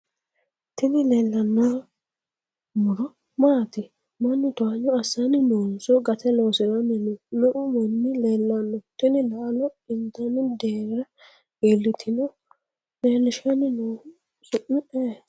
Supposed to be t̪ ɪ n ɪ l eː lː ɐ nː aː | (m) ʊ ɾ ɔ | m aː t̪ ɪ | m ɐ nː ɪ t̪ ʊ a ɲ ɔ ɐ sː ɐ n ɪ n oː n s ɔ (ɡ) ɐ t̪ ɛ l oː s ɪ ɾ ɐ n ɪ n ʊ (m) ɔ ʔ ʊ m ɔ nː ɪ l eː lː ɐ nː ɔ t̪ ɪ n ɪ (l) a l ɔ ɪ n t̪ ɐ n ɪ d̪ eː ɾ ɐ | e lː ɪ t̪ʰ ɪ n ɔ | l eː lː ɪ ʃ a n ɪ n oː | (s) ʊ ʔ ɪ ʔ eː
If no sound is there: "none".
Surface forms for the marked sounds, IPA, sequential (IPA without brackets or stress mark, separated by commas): m, ɡ, n, l, s